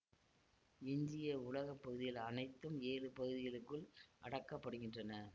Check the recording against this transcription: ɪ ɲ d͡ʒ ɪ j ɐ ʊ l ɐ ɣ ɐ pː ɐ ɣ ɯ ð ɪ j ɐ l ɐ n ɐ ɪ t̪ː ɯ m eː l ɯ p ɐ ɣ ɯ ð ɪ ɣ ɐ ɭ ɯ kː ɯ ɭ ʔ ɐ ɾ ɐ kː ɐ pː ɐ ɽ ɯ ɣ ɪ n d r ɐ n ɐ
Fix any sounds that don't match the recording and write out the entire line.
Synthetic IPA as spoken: ɪ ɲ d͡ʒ ɪ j ɐ ʊ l ɐ ɣ ɐ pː ɐ ɣ ɯ ð ɪ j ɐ l ɐ n ɐ ɪ t̪ː ɯ m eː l ɯ p ɐ ɣ ɯ ð ɪ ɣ ɐ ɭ ɯ kː ɯ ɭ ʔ ɐ ɽ ɐ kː ɐ pː ɐ ɽ ɯ ɣ ɪ n d r ɐ n ɐ